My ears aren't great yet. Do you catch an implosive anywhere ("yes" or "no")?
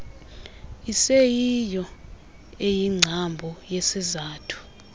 no